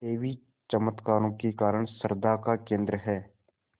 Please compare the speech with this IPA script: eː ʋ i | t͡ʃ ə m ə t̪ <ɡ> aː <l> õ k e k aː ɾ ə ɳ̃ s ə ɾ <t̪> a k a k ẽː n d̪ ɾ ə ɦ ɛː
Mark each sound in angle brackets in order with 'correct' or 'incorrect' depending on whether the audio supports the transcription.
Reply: incorrect: k, incorrect: ɾ, incorrect: d̪

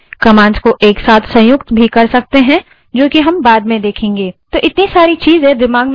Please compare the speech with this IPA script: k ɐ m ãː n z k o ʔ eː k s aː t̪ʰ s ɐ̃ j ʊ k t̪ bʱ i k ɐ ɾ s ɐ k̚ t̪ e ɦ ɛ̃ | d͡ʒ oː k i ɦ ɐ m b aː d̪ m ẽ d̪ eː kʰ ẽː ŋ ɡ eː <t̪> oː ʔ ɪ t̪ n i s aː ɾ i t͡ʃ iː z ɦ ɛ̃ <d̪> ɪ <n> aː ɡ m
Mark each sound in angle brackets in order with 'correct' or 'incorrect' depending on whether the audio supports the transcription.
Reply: correct, correct, incorrect: m

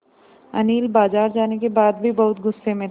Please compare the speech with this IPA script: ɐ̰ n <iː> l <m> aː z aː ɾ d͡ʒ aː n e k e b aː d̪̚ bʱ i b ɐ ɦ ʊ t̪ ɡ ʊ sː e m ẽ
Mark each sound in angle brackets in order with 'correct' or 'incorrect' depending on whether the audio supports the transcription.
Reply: correct, incorrect: b

